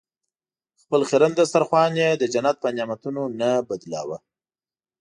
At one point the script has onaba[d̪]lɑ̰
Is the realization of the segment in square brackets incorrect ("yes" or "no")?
no